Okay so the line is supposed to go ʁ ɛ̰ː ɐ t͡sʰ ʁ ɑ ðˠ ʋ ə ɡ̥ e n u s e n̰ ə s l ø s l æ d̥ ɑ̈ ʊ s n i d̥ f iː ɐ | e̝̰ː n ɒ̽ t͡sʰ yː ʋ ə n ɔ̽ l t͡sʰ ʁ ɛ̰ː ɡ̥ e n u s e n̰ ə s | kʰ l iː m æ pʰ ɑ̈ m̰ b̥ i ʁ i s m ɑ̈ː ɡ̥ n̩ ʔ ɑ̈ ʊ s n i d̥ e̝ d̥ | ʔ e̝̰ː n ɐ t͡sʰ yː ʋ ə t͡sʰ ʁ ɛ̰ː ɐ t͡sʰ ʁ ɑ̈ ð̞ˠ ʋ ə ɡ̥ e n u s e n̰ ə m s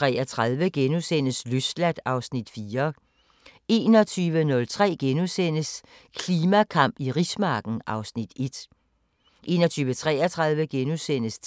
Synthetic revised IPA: ʁ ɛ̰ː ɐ t͡sʰ ʁ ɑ ðˠ ʋ ə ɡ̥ e n u s e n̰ ə s l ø s l æ d̥ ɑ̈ ʊ s n i d̥ f iː ɐ | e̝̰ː n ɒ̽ t͡sʰ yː ʋ ə n ɔ̽ l t͡sʰ ʁ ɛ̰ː ɡ̥ e n u s e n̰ ə s | kʰ l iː m æ kʰ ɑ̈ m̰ b̥ i ʁ i s m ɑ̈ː ɡ̥ n̩ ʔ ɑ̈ ʊ s n i d̥ e̝ d̥ | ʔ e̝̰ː n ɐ t͡sʰ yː ʋ ə t͡sʰ ʁ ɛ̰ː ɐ t͡sʰ ʁ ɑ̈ ð̞ˠ ʋ ə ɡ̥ e n u s e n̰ ə s